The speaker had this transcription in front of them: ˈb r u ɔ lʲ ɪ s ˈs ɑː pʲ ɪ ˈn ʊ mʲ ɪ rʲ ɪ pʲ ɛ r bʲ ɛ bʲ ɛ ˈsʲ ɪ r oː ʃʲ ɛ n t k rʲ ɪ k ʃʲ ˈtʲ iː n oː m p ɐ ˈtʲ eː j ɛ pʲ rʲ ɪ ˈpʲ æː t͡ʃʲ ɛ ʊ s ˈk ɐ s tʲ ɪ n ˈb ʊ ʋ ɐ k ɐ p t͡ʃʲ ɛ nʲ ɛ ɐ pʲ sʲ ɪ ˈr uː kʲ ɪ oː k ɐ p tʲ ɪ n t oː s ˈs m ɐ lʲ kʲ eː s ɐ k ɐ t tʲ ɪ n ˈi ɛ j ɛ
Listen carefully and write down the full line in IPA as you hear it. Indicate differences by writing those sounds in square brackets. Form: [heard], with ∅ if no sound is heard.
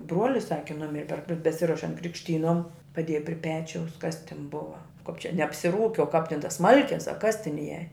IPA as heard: ˈb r u ɔ lʲ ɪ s ˈs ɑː [kʲ] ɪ ˈn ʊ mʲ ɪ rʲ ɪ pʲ ɛ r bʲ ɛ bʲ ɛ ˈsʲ ɪ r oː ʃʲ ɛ n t k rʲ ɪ k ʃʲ ˈtʲ iː n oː m p ɐ [ˈdʲ] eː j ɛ pʲ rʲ ɪ ˈpʲ æː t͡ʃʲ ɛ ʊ s ˈk ɐ s tʲ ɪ n ˈb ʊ ʋ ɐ k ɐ p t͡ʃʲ ɛ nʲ ɛ ɐ pʲ sʲ ɪ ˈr uː kʲ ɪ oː k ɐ p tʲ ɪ n t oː s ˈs m ɐ lʲ kʲ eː s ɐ k ɐ [s] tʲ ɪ n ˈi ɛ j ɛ